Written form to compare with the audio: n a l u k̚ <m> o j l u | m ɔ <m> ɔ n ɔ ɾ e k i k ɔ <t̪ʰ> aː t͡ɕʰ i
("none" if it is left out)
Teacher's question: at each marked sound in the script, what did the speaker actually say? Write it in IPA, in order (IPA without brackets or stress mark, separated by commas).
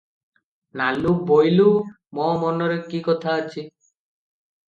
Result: b, m, t̪ʰ